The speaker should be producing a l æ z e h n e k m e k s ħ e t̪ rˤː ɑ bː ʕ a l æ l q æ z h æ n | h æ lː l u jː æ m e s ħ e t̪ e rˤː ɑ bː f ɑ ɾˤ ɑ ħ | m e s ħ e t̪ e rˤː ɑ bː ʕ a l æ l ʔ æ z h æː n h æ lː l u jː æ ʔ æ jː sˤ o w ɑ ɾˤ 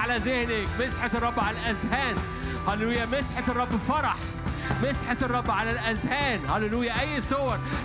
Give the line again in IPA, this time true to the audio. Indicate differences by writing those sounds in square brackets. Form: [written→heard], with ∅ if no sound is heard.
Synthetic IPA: a l æ z e h n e k m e [k→∅] s ħ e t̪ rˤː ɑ bː ʕ a l æ l [q→ʔ] æ z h [æ→æː] n | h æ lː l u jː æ m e s ħ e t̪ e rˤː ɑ bː f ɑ ɾˤ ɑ ħ | m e s ħ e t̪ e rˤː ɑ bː ʕ a l æ l ʔ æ z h æː n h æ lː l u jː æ ʔ æ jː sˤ o w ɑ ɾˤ